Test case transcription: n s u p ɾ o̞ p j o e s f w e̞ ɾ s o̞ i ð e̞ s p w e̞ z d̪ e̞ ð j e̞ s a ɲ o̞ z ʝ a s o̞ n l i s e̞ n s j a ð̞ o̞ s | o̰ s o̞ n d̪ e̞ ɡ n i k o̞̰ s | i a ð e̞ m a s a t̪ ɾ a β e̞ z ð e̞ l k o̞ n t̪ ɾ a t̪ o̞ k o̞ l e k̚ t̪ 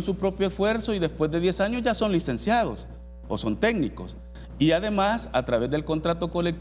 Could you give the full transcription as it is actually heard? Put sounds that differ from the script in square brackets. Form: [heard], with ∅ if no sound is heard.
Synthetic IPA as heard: n s u p ɾ o̞ p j o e s f w e̞ ɾ s o̞ i ð e̞ s p w e̞ z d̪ e̞ ð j e̞ s a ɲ o̞ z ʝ a s o̞ n l i s e̞ n s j a ð̞ o̞ s | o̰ s o̞ n [t̪] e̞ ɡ n i k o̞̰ s | i a ð e̞ m a s a t̪ ɾ a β e̞ z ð e̞ l k o̞ n t̪ ɾ a t̪ o̞ k o̞ l e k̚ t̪